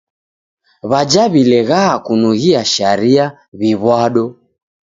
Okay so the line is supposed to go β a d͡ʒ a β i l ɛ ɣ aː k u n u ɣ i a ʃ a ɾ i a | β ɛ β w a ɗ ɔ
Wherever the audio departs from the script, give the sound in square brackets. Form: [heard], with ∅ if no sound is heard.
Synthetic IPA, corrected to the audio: β a d͡ʒ a β i l ɛ ɣ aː k u n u ɣ i a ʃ a ɾ i a | β [i] β w a ɗ ɔ